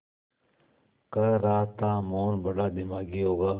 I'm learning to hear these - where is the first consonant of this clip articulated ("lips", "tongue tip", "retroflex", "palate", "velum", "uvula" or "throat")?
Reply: velum